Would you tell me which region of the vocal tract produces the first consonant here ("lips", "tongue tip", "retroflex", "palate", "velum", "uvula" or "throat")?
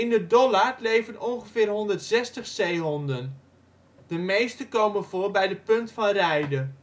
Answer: tongue tip